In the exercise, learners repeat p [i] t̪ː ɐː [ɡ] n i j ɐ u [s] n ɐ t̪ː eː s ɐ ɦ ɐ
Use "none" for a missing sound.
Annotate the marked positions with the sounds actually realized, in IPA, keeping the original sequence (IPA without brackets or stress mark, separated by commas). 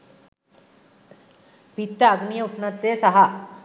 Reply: i, ɡ, s